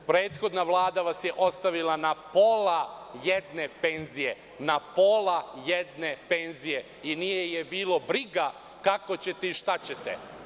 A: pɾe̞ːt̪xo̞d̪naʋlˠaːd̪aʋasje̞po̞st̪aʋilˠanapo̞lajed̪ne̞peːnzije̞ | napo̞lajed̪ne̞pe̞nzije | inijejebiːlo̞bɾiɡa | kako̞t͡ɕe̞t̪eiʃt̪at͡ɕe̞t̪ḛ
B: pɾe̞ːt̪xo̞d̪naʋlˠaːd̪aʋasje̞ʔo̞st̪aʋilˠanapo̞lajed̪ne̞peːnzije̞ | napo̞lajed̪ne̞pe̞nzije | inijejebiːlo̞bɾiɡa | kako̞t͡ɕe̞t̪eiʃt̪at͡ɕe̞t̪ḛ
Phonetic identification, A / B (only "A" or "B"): B